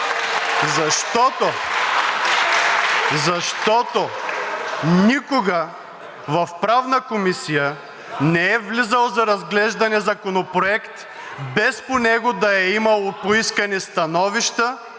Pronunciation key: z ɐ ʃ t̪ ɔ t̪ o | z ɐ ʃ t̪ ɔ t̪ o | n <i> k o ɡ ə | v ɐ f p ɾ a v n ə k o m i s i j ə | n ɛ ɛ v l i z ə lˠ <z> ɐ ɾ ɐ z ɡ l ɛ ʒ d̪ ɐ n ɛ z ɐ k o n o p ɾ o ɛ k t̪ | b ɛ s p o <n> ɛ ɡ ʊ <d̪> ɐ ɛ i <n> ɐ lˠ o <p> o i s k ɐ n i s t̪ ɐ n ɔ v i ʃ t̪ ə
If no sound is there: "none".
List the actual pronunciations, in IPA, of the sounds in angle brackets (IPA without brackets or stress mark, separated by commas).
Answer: i, z, n, d̪, m, p